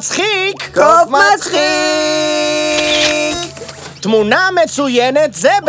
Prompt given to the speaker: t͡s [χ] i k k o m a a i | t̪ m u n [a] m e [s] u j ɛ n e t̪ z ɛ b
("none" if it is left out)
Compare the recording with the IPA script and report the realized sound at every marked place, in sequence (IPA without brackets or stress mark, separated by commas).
χ, a, t͡s